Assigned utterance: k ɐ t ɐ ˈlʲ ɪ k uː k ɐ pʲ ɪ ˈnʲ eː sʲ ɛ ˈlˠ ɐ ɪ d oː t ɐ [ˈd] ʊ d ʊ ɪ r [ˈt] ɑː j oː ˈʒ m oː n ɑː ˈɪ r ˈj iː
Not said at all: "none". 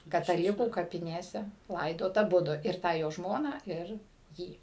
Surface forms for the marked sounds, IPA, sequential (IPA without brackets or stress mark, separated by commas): b, t